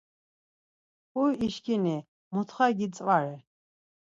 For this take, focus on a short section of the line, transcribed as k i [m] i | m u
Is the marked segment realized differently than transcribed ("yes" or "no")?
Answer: yes